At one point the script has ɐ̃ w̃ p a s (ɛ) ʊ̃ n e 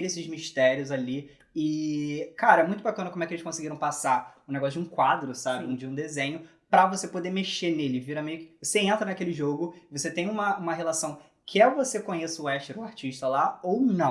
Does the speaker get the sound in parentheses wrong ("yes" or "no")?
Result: yes